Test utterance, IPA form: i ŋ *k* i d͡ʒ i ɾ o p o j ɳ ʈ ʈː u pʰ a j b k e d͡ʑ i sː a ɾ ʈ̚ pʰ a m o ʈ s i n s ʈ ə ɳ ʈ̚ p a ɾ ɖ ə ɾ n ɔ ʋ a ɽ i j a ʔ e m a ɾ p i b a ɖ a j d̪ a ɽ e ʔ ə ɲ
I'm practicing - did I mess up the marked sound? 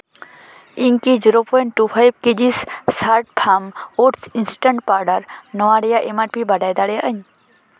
no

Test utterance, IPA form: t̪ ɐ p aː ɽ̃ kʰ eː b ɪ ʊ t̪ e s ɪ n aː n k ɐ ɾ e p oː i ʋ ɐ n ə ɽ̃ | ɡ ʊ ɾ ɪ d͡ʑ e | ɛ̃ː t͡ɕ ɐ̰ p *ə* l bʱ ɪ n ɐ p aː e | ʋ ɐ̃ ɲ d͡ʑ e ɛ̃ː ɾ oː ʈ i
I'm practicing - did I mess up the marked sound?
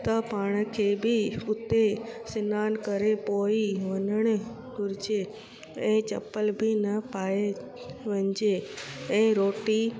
no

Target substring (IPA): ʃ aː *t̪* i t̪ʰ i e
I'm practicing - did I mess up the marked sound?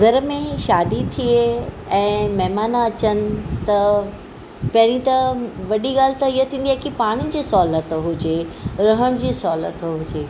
yes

